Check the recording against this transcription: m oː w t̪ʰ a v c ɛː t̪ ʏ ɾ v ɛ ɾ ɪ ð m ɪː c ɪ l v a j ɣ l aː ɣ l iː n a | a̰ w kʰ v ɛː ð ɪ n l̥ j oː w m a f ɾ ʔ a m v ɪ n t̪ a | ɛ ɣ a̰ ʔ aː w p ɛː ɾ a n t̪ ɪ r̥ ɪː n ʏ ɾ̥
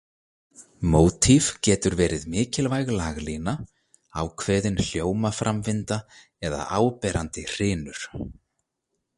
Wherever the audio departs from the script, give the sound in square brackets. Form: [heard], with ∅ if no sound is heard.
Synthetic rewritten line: m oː w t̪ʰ [i] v c ɛː t̪ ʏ ɾ v [ɛː] ɾ ɪ ð m ɪː c ɪ l v a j ɣ l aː ɣ l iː n a | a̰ w kʰ v ɛː ð ɪ n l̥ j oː w m a f ɾ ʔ a m v ɪ n t̪ a | ɛ [ð] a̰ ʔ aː w p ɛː ɾ a n t̪ ɪ r̥ ɪː n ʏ ɾ̥